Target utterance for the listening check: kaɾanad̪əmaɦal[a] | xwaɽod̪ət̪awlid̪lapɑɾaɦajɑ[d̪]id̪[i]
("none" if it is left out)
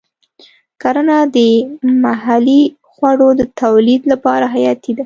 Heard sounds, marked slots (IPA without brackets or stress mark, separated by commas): i, t̪, a